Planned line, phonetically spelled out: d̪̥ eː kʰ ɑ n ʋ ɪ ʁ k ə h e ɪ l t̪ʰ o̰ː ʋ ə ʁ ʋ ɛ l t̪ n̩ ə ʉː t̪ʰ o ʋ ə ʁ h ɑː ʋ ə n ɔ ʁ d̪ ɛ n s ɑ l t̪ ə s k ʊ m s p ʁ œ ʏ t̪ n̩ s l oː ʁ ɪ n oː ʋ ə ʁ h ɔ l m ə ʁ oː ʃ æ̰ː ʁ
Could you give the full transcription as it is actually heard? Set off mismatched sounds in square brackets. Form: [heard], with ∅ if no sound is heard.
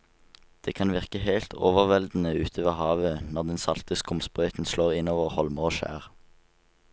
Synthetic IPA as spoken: d̪̥ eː kʰ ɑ n ʋ ɪ ʁ k ə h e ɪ l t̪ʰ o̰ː ʋ ə ʁ ʋ ɛ l [d̪] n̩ ə ʉː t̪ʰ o ʋ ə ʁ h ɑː ʋ ə n ɔ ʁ d̪ ɛ n s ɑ l t̪ ə s k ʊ m s p ʁ œ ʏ t̪ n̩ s l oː ʁ ɪ n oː ʋ ə ʁ h ɔ l m ə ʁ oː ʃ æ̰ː ʁ

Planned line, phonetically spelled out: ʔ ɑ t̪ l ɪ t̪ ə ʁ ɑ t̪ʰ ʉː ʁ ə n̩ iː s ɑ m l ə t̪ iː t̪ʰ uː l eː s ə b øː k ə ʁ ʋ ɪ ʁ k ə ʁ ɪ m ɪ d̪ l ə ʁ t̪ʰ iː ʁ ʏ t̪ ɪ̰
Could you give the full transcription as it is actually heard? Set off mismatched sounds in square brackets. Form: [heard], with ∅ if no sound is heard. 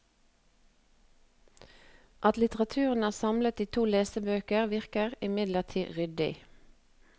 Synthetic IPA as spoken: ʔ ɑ t̪ l ɪ t̪ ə ʁ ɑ t̪ʰ ʉː ʁ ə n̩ [æː] s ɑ m l ə t̪ iː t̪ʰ uː l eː s ə b øː k ə ʁ ʋ ɪ ʁ k ə ʁ ɪ m ɪ d̪ l ə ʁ t̪ʰ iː ʁ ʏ [d̪] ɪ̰

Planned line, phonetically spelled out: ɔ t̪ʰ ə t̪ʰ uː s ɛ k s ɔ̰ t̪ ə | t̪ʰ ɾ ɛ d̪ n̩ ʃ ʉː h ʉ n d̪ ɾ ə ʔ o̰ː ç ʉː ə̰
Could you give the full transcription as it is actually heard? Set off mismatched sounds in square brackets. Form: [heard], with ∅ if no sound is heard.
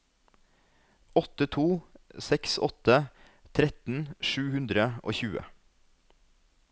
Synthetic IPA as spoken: ɔ [t̪] ə t̪ʰ uː s ɛ k s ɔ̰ t̪ ə | t̪ʰ ɾ ɛ [t̪] n̩ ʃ ʉː h ʉ n d̪ ɾ ə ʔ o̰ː ç ʉː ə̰

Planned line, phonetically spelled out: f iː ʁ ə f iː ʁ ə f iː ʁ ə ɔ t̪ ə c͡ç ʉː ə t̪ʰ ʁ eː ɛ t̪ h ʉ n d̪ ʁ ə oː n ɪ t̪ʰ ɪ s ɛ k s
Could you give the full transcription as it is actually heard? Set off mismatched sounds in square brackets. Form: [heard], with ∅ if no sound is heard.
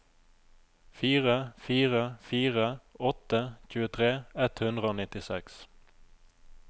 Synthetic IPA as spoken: f iː ʁ ə f iː ʁ ə f iː ʁ ə ɔ t̪ ə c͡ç ʉː ə t̪ʰ ʁ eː ɛ t̪ h ʉ n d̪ ʁ ə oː n ɪ [t̪] ɪ s ɛ k s

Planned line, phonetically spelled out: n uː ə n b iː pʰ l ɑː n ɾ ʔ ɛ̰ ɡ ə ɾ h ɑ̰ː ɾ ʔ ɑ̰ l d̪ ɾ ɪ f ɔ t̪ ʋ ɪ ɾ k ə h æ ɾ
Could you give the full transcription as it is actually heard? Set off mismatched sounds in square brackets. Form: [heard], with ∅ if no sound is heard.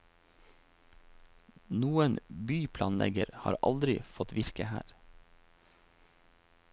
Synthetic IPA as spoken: n uː ə n b [yː] pʰ l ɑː n [l] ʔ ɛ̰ ɡ ə ɾ h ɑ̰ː ɾ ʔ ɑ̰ l d̪ ɾ ɪ f ɔ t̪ ʋ ɪ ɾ k ə h [æː] ɾ

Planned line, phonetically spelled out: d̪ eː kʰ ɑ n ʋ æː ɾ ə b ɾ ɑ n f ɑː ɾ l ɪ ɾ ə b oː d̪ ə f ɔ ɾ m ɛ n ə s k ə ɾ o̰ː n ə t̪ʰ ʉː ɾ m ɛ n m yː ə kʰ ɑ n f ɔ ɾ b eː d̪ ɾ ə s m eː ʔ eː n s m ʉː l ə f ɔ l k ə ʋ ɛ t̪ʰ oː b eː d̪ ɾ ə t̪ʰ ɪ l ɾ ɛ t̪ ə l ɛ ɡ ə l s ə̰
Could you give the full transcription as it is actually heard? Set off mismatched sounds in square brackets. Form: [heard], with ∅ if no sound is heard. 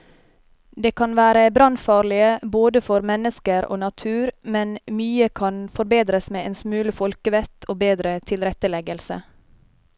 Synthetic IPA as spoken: d̪ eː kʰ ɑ n ʋ æː ɾ ə b ɾ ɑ n f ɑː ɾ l ɪ [∅] ə b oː d̪ ə f ɔ ɾ m ɛ n ə s k ə ɾ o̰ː n [ɑ] t̪ʰ ʉː ɾ m ɛ n m yː ə kʰ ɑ n f ɔ ɾ b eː d̪ ɾ ə s m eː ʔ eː n s m ʉː l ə f ɔ l k ə ʋ ɛ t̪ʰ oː b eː d̪ ɾ ə t̪ʰ ɪ l ɾ ɛ t̪ ə l ɛ ɡ ə l s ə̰

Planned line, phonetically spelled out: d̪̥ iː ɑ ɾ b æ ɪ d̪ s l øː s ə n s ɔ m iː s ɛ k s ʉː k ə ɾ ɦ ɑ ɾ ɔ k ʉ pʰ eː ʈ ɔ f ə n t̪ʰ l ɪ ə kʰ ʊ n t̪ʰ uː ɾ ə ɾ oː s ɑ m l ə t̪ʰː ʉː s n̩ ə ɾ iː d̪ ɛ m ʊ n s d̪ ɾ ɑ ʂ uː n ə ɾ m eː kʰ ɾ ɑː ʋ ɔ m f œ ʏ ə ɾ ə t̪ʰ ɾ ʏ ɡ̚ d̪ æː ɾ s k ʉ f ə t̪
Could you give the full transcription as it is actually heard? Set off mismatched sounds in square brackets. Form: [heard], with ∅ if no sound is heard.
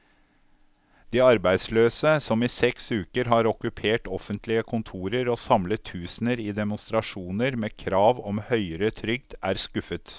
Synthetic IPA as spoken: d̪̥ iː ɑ ɾ b æ ɪ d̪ s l øː s ə [∅] s ɔ m iː s ɛ k s ʉː k ə ɾ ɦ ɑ ɾ ɔ k ʉ pʰ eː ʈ ɔ f ə n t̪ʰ l ɪ ə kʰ ʊ n t̪ʰ uː ɾ ə ɾ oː s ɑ m l ə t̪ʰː ʉː s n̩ ə ɾ iː d̪ ɛ m ʊ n s [t̪] ɾ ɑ ʂ uː n ə ɾ m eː kʰ ɾ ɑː ʋ ɔ m [h] œ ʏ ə ɾ ə t̪ʰ ɾ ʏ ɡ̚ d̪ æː ɾ s k ʉ f ə t̪

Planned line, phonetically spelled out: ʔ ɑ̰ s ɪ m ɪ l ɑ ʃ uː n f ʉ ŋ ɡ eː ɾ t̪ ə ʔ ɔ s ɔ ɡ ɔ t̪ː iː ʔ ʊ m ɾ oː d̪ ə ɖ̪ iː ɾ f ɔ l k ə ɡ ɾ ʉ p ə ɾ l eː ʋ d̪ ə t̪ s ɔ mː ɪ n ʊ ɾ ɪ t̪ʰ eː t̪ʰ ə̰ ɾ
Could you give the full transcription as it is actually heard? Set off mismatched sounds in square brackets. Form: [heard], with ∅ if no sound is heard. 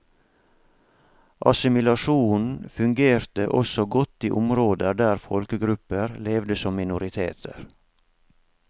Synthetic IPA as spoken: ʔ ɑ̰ s ɪ m ɪ l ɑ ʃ uː n f ʉ ŋ ɡ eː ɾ t̪ ə ʔ ɔ s ɔ ɡ ɔ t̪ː iː ʔ ʊ m ɾ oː d̪ ə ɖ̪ [æː] ɾ f ɔ l k ə ɡ ɾ ʉ p ə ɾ l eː ʋ d̪ ə [∅] s ɔ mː ɪ n ʊ ɾ ɪ t̪ʰ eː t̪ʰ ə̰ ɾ

